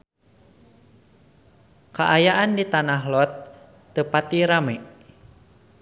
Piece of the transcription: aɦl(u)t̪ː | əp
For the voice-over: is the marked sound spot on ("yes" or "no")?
no